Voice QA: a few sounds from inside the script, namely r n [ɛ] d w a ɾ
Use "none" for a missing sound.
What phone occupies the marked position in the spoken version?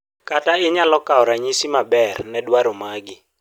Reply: ɛ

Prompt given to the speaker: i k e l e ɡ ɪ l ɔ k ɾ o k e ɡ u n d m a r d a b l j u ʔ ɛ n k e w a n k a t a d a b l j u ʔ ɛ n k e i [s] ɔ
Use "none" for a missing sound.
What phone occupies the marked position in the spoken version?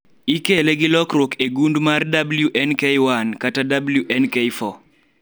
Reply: f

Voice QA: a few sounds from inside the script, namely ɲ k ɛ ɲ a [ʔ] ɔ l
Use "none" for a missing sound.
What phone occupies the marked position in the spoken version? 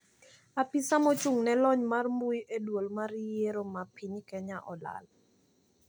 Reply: ʔ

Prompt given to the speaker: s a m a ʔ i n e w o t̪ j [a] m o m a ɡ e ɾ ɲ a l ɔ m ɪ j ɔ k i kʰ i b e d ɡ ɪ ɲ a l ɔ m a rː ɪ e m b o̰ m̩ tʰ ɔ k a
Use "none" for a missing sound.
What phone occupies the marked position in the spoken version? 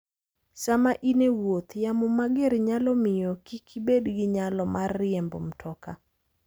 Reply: a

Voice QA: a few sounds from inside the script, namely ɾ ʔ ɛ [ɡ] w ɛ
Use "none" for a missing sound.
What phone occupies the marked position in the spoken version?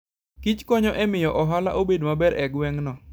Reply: ɡ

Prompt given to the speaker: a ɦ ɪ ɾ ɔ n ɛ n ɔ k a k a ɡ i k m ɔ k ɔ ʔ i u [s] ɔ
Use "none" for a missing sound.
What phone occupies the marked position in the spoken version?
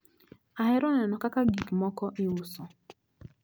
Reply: s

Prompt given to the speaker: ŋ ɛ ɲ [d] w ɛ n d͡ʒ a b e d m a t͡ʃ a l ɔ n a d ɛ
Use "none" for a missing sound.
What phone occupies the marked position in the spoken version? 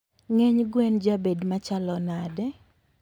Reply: ɡ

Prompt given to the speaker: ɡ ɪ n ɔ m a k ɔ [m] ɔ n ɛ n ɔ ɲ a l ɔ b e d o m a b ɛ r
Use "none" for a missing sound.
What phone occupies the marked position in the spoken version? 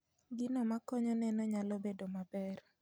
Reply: ɲ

